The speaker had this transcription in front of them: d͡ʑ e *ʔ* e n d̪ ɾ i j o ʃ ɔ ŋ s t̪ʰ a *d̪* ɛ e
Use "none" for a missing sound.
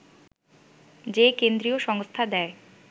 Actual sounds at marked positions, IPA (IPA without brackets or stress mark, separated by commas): k, d̪